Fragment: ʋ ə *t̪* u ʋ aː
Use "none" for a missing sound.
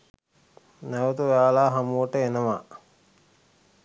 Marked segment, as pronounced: t̪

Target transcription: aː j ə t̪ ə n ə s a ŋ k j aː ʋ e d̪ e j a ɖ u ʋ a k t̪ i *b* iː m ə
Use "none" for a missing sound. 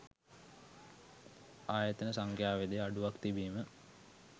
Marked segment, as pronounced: b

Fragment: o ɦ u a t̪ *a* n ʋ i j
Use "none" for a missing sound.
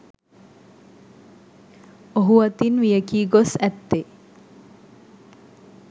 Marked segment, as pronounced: i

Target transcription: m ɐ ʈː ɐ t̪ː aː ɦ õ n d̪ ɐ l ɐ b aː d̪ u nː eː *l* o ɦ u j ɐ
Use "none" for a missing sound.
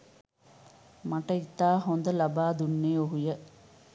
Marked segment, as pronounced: none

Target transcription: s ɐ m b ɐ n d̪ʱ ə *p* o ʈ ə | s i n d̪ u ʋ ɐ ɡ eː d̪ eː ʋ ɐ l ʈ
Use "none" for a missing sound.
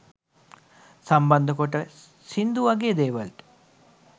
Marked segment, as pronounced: k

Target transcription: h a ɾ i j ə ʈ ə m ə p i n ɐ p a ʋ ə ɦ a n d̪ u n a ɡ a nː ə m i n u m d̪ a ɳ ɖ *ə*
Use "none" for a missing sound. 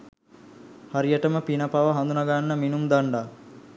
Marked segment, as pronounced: a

